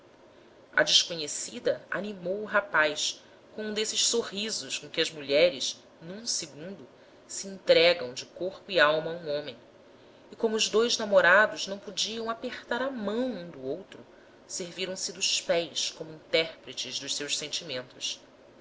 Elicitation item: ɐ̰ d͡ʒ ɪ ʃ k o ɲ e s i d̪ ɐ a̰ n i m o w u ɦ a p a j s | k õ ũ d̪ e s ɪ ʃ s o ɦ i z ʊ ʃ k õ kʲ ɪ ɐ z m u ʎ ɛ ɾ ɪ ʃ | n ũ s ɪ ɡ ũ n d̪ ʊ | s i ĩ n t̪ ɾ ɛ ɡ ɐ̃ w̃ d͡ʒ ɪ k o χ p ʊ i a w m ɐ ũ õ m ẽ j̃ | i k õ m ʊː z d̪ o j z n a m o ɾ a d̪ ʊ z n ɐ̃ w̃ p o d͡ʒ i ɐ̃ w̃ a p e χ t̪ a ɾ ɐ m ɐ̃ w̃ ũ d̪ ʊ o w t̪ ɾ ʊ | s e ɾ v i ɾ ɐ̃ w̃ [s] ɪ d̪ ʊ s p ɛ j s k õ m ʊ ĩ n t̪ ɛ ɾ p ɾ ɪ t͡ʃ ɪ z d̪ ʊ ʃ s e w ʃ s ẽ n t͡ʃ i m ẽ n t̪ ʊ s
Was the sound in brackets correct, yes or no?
yes